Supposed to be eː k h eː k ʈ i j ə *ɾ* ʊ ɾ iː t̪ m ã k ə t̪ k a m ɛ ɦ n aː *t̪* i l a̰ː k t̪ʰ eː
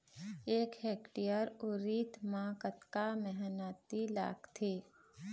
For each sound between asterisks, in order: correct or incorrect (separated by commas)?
correct, correct